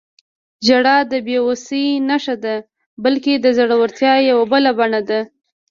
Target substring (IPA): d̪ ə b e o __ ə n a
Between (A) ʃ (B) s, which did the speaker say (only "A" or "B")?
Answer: B